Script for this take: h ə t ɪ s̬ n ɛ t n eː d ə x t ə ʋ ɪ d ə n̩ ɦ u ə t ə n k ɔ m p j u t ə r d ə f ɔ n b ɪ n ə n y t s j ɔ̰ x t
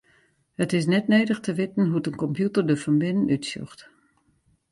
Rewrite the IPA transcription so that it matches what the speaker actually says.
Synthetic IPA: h ə t ɪ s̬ n ɛ t n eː d ə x t ə ʋ ɪ t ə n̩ ɦ u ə t ə n k ɔ m p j u t ə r d ə f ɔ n b ɪ n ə n y t s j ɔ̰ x t